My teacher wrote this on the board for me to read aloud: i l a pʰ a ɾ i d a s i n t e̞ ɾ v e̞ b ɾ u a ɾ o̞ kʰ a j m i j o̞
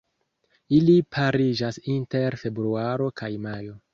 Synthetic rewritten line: i l i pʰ a ɾ i d͡ʒ a s i n t e̞ ɾ f e̞ b ɾ u a ɾ o̞ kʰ a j m a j o̞